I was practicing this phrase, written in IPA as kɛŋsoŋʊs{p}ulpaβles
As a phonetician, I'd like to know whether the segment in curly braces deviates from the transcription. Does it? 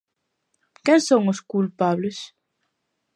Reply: yes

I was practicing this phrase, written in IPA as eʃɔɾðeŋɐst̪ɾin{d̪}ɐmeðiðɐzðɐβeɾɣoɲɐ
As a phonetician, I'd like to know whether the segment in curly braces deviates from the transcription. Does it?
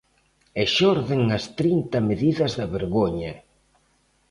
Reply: yes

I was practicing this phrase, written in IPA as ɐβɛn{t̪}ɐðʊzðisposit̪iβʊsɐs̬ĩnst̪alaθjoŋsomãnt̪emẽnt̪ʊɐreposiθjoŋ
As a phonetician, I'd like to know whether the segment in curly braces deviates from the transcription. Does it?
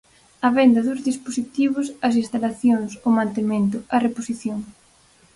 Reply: yes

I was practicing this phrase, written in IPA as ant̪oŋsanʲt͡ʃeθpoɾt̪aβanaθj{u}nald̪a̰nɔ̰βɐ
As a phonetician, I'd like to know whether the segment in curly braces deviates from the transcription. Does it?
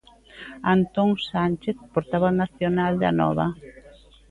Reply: yes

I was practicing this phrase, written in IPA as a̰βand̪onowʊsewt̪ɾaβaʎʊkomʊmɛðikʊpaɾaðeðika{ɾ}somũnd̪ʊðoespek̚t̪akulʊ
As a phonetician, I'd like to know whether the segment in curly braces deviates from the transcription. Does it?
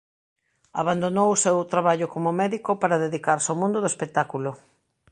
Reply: no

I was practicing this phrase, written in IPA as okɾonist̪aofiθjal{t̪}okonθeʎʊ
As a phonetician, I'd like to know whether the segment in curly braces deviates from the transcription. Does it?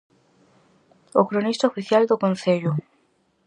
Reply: yes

